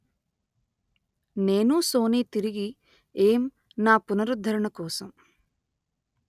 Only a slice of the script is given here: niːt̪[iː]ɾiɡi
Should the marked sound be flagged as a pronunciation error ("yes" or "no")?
yes